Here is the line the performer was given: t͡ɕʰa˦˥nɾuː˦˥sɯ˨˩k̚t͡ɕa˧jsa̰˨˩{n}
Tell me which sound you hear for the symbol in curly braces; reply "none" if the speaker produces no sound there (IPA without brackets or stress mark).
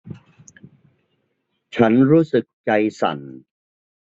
n